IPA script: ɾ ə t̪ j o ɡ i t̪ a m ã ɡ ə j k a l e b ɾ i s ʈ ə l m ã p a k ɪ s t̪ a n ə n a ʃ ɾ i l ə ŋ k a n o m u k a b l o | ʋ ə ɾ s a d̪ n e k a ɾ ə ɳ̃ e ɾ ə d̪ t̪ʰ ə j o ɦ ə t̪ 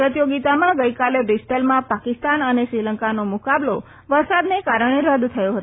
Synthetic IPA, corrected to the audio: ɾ ə t̪ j o ɡ i t̪ a m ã ɡ ə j k a l e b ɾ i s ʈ ə l m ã p a k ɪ s t̪ a n ə n e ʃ ɾ i l ə ŋ k a n o m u k a b l o | ʋ ə ɾ s a d̪ n e k a ɾ ə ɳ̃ e ɾ ə d̪ t̪ʰ ə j o ɦ ə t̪